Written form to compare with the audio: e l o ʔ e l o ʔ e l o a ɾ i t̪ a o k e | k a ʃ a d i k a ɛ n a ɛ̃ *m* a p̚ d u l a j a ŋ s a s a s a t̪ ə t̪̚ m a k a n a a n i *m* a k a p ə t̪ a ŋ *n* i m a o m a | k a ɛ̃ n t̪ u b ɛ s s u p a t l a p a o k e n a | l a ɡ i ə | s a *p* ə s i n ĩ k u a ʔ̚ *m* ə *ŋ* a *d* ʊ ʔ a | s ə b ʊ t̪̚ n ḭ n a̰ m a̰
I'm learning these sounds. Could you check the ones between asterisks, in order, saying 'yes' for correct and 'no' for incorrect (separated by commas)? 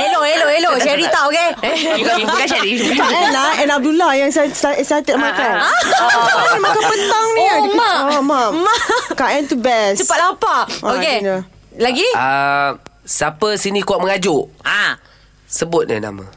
no, yes, yes, yes, yes, yes, no